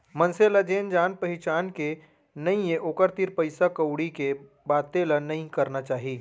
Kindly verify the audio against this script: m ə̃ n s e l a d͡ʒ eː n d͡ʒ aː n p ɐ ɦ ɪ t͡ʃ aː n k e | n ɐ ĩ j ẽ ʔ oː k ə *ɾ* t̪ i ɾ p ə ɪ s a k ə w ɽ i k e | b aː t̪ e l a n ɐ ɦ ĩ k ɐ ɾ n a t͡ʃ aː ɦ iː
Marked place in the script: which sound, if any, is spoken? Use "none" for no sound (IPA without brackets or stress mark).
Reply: ɾ